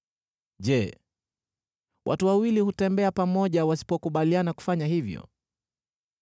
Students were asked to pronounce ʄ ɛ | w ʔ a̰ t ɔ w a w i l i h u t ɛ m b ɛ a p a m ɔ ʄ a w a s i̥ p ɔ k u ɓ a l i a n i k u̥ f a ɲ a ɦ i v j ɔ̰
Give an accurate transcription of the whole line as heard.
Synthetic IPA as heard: ʄ ɛ | w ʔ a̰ t u w a w i l i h u t ɛ m b ɛ a p a m ɔ ʄ a w a s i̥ p ɔ k u ɓ a l i a n a k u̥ f a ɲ a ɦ i v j ɔ̰